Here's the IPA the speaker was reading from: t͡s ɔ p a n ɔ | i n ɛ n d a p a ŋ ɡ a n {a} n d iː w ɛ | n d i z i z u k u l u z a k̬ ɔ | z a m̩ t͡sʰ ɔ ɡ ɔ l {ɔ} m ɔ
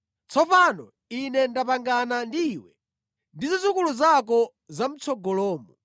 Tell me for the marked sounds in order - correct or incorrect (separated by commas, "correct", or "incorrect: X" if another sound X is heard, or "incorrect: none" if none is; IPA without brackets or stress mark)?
correct, incorrect: ɔː